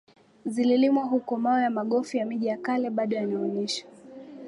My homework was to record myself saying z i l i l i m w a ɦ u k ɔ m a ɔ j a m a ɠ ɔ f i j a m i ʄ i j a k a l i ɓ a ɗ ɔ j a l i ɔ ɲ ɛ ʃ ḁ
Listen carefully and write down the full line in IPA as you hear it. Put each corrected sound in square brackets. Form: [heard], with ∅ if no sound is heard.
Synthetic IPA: z i l i l i m w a ɦ u k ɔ m a ɔ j a m a ɠ ɔ f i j a m i ʄ i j a k a l [ɛ] ɓ a ɗ ɔ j a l i ɔ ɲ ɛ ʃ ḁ